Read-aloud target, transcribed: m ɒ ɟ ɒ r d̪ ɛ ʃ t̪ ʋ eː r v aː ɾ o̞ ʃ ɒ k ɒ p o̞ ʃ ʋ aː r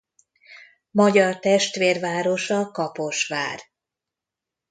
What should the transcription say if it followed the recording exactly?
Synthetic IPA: m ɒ ɟ ɒ r t̪ ɛ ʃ t̪ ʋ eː r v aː ɾ o̞ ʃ ɒ k ɒ p o̞ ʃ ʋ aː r